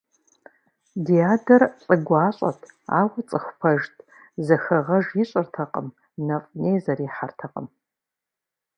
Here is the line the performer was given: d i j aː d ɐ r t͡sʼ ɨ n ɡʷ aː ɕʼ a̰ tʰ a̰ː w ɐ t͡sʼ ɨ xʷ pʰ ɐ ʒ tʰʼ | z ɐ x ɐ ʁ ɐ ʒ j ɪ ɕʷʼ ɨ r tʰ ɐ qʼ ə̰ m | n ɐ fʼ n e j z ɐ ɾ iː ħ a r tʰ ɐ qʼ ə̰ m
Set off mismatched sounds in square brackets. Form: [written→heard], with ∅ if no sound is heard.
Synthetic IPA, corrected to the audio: d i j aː d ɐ r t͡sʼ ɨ [n→∅] ɡʷ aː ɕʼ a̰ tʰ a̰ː w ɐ t͡sʼ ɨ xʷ pʰ ɐ ʒ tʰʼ | z ɐ x ɐ ʁ ɐ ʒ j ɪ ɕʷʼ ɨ r tʰ ɐ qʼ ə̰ m | n ɐ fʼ n e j z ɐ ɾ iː ħ a r tʰ ɐ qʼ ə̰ m